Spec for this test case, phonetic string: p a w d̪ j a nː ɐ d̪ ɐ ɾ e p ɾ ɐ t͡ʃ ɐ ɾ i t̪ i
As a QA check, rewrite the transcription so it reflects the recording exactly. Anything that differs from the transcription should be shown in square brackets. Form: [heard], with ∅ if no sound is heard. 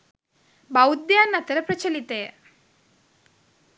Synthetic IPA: [b] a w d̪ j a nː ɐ [t̪] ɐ ɾ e p ɾ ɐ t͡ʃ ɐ [l] i t̪ [e]